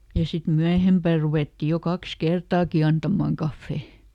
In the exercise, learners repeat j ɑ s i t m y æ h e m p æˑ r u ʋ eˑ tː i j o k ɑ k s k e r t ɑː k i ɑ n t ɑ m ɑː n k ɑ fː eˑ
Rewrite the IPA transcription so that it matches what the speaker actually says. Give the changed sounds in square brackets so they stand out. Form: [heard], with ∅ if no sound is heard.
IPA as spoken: j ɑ s i t m y æ h e m p æˑ r u ʋ eˑ tː i j o k ɑ k s k e r t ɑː k i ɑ n t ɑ m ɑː [ŋ] k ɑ fː eˑ